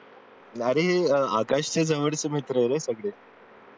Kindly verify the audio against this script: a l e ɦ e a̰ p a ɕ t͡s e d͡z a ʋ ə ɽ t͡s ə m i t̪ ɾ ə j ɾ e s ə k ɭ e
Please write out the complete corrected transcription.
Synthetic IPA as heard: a ɾ e ɦ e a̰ k a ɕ t͡s e d͡z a ʋ ə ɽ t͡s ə m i t̪ ɾ ə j ɾ e s ə ɡ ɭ e